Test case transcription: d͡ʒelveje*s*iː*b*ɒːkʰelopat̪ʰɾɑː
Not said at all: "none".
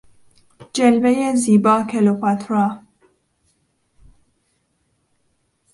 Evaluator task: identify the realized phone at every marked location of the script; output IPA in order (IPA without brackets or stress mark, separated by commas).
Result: z, b